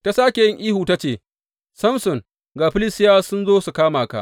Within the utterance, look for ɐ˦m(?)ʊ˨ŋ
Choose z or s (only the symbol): s